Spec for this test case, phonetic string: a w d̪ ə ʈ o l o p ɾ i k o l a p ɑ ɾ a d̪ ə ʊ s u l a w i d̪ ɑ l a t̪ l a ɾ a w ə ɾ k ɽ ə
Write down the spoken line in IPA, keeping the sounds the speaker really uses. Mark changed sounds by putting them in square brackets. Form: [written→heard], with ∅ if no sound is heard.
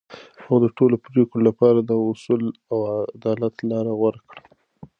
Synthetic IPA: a w d̪ ə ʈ o l o p ɾ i k o l a p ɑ ɾ a d̪ ə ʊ s u l a w [i→a] d̪ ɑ l a t̪ l [a→ɑ] ɾ a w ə ɾ k ɽ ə